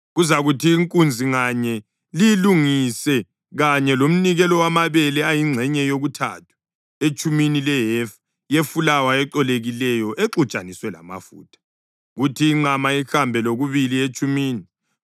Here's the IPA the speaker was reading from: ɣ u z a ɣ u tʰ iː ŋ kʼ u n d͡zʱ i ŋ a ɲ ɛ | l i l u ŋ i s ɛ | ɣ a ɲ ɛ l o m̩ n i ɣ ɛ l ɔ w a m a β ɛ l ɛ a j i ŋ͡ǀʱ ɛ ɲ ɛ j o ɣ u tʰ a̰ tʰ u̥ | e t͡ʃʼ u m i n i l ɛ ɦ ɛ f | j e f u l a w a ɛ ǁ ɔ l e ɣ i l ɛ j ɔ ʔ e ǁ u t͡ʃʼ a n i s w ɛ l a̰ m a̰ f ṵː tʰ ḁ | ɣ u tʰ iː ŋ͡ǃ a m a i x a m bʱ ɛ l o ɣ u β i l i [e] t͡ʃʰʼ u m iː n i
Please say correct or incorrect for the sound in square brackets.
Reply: correct